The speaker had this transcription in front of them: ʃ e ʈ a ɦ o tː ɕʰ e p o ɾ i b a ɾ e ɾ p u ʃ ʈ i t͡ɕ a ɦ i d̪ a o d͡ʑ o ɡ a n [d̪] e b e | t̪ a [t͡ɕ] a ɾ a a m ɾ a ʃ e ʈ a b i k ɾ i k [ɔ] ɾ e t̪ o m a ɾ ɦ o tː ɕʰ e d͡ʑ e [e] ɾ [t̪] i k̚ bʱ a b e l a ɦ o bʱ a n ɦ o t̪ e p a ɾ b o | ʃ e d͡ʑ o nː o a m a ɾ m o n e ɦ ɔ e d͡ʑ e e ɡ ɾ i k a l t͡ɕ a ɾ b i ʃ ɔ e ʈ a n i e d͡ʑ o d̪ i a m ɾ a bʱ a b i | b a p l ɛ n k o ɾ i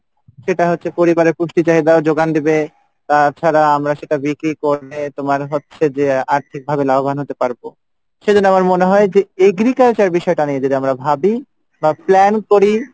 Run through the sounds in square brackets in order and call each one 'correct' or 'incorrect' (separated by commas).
correct, incorrect, incorrect, incorrect, incorrect